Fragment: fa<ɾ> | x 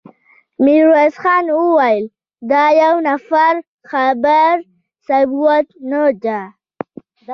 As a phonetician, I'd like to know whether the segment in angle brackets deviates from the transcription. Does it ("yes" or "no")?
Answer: no